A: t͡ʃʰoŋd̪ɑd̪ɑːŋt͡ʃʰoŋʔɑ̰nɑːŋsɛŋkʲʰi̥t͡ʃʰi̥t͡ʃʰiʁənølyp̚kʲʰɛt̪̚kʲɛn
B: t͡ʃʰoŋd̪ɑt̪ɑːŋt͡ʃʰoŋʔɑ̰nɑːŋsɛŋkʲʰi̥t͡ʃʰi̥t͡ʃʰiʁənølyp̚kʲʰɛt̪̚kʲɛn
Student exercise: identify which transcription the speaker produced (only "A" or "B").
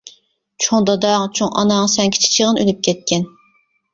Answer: A